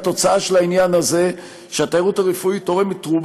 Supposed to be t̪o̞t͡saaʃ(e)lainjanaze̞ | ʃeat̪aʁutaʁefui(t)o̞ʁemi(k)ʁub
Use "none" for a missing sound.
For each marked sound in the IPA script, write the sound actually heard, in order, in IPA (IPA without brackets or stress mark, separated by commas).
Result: e, t, t